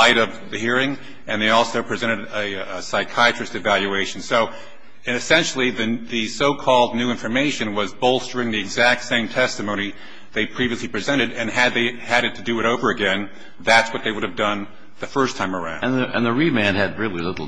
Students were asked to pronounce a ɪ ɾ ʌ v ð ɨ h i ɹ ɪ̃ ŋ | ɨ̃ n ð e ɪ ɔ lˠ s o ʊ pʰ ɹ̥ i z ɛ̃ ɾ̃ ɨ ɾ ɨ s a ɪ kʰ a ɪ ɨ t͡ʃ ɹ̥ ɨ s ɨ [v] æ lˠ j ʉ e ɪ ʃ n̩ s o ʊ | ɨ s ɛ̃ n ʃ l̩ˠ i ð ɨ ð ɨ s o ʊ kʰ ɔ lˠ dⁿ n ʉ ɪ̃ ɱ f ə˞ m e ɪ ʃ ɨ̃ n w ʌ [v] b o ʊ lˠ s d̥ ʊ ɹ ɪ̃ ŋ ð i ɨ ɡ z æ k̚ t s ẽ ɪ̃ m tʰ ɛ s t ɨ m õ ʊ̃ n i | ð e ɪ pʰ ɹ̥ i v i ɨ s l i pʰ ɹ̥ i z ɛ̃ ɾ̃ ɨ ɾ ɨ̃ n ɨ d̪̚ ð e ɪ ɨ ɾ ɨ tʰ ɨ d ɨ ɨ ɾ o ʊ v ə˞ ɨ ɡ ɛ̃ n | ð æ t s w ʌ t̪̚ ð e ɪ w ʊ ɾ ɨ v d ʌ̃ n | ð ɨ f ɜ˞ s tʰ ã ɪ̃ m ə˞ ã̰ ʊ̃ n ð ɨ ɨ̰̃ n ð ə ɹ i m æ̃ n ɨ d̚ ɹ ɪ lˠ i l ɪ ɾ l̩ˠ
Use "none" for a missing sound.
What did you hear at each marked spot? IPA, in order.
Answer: v, z

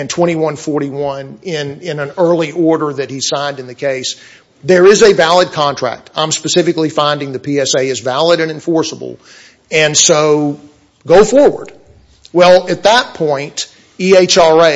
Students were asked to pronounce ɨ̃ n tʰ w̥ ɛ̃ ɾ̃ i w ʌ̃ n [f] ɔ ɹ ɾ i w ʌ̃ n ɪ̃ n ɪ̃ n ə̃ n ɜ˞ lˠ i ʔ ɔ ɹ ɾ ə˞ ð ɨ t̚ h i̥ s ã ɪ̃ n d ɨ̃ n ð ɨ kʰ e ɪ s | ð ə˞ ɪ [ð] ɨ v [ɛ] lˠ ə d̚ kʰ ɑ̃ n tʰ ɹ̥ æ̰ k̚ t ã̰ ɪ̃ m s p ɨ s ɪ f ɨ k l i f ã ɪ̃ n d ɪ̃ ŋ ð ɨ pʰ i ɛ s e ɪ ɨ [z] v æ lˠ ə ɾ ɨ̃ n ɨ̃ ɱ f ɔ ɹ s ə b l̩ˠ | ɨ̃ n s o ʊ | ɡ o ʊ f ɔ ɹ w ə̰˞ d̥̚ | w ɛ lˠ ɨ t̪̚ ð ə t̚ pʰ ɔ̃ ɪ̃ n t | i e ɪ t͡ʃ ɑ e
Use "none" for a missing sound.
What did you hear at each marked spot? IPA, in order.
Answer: f, z, æ, z

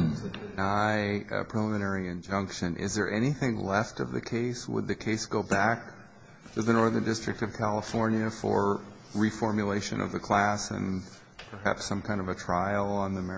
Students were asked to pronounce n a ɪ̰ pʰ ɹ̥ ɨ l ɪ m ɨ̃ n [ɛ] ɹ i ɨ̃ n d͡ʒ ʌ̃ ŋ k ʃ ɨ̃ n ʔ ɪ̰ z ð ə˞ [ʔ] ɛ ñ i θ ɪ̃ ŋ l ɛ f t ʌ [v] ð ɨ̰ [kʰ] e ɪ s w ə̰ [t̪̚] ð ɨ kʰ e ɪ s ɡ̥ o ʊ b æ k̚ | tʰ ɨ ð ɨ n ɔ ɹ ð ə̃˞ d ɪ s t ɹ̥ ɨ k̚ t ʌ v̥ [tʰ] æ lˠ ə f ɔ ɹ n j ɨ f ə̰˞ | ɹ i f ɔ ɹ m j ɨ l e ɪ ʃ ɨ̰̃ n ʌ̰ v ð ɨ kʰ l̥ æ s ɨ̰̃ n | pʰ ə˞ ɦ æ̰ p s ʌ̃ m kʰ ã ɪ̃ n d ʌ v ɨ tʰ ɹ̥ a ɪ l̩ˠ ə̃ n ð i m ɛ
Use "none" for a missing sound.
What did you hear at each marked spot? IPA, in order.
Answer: ɛ, ʔ, v, kʰ, d̪̚, kʰ

